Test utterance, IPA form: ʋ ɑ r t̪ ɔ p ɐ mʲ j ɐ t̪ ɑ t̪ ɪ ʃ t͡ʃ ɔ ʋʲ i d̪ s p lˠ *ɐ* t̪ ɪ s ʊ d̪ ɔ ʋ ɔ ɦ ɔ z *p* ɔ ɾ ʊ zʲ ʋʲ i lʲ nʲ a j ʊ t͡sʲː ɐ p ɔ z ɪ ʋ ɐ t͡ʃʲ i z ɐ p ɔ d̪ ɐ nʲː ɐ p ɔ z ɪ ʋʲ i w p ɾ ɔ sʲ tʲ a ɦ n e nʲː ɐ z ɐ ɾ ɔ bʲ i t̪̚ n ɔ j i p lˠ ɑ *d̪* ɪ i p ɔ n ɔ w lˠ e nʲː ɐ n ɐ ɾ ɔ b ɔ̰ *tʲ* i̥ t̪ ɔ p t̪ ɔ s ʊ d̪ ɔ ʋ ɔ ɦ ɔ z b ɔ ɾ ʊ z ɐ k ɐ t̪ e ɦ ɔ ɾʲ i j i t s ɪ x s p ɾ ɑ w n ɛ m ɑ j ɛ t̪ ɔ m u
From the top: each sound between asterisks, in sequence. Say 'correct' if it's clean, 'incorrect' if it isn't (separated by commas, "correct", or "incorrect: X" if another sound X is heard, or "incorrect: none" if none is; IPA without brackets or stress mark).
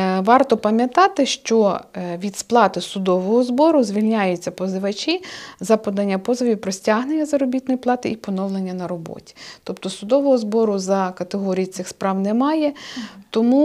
incorrect: ɑ, incorrect: b, incorrect: t̪, correct